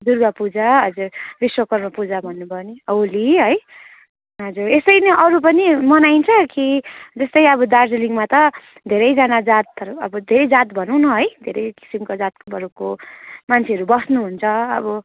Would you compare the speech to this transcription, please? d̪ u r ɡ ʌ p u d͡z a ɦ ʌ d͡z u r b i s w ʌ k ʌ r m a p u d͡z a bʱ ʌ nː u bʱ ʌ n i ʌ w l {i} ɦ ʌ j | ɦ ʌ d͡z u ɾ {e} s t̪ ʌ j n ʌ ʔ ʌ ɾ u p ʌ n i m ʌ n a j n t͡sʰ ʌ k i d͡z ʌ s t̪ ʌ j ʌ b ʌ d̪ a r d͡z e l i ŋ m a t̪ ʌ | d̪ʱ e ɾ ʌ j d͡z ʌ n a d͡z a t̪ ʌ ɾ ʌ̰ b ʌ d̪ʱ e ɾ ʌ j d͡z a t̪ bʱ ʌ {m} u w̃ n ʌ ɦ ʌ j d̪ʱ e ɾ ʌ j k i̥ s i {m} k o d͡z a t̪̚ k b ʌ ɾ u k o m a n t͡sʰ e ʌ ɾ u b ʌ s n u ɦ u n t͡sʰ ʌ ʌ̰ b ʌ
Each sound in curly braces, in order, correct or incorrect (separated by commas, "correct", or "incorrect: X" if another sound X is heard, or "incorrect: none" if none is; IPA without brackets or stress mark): correct, correct, incorrect: n, correct